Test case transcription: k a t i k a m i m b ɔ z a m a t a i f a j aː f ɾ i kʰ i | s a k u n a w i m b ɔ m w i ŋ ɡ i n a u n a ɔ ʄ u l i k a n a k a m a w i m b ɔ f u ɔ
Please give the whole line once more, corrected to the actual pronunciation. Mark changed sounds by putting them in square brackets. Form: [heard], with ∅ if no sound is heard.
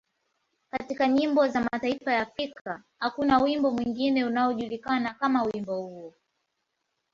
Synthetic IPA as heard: k a t i k a [ɲ] i m b ɔ z a m a t a i f a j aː f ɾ i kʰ [a] | [h] a k u n a w i m b ɔ m w i ŋ ɡ i n [ɛ] u n a ɔ ʄ u l i k a n a k a m a w i m b ɔ [h] u ɔ